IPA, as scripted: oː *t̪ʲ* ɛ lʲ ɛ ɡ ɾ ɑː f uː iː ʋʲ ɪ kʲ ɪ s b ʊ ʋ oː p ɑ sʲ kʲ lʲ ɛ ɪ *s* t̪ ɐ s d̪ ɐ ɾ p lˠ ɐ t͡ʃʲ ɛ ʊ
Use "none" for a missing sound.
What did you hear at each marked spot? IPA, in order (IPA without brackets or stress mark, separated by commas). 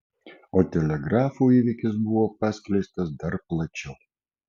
t̪ʲ, s